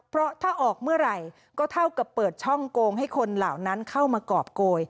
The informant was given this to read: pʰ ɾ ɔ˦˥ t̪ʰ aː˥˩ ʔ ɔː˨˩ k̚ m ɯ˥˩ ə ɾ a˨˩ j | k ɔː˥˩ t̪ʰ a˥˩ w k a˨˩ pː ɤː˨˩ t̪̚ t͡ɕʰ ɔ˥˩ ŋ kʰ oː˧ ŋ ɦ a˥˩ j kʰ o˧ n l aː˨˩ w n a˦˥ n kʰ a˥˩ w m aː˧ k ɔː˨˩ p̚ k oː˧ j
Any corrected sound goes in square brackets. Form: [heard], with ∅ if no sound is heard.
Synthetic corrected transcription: pʰ ɾ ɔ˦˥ t̪ʰ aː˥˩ ʔ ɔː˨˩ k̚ m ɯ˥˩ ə ɾ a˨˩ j | k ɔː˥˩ t̪ʰ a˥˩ w k a˨˩ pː ɤː˨˩ t̪̚ t͡ɕʰ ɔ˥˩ ŋ [k] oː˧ ŋ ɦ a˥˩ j kʰ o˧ n l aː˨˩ w n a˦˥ n kʰ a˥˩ w m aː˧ k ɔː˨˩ p̚ k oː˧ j